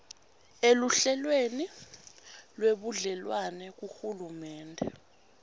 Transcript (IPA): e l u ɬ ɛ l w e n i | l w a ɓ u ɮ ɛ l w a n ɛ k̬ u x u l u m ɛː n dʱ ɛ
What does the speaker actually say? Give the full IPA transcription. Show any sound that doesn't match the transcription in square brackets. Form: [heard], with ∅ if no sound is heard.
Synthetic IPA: e l u ɬ ɛ l w e n i | l w [e] ɓ u ɮ ɛ l w a n ɛ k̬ u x u l u m ɛː n dʱ ɛ